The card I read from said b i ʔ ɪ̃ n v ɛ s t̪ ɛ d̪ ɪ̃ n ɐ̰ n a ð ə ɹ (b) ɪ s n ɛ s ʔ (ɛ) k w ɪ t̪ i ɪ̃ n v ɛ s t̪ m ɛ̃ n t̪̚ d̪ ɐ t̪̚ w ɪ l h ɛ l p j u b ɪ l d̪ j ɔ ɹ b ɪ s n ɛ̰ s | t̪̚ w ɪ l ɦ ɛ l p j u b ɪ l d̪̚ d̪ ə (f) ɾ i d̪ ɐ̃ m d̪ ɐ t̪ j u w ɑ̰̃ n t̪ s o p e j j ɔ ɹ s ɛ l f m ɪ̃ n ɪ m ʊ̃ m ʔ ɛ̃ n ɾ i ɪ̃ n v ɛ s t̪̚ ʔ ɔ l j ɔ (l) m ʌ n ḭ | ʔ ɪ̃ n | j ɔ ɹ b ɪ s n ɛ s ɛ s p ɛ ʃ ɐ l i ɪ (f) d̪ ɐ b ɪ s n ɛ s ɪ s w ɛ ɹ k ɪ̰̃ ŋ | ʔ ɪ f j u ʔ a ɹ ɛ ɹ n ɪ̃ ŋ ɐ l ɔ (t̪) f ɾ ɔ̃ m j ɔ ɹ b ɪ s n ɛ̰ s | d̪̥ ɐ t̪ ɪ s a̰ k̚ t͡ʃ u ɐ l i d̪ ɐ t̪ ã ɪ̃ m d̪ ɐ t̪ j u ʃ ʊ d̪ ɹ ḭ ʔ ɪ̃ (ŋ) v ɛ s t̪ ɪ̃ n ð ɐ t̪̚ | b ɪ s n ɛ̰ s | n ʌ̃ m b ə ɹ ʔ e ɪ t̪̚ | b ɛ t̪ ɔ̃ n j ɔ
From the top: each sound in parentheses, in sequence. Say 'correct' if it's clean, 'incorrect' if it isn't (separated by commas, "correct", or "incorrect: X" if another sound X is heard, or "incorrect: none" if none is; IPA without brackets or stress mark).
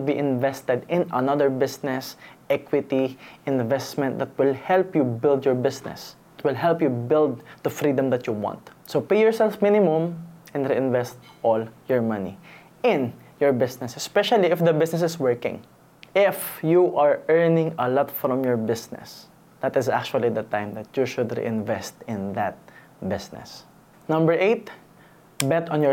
correct, correct, correct, incorrect: ɹ, correct, correct, incorrect: n